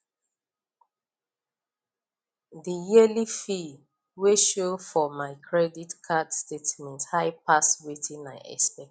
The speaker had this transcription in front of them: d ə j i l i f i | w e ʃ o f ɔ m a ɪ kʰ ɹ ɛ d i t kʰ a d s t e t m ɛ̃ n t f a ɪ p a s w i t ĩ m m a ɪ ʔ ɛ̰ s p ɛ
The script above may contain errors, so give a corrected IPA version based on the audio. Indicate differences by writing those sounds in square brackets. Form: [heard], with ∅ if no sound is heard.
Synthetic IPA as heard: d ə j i l i f i | w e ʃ o f ɔ m a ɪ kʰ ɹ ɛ d i t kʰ a d s t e t m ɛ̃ n t [h] a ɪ p a s w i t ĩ [n] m a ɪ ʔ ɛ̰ s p ɛ